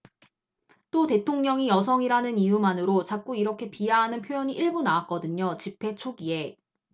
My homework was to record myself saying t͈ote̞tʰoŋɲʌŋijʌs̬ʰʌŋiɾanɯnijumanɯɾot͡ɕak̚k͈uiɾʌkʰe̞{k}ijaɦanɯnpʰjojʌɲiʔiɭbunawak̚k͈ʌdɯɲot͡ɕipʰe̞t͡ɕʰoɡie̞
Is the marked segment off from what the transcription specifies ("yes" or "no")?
yes